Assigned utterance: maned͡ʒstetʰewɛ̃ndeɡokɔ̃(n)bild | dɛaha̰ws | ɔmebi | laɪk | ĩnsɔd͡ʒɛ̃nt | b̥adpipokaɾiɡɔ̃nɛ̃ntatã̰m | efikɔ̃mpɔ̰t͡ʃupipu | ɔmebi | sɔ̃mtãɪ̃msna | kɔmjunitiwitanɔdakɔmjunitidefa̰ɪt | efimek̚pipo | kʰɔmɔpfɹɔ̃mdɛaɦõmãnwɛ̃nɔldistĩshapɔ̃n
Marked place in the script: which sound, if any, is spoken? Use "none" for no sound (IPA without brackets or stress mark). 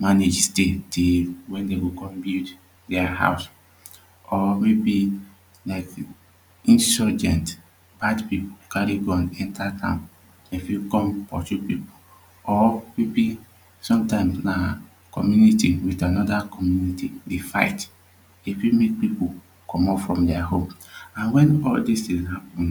m